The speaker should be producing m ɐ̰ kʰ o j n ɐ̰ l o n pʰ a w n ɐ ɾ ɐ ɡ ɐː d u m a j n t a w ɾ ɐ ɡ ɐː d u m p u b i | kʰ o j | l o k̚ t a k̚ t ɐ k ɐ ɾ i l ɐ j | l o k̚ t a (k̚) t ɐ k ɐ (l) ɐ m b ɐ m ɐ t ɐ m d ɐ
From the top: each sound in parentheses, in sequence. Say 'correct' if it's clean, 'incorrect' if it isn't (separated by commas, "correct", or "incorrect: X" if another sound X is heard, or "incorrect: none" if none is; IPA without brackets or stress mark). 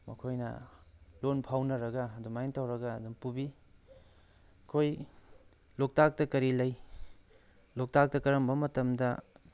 correct, incorrect: ɾ